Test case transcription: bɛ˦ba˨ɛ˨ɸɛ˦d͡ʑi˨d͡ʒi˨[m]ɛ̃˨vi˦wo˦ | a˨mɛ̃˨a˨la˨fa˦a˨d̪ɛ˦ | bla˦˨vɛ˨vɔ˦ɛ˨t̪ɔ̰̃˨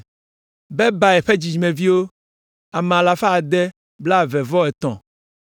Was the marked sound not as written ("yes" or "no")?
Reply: no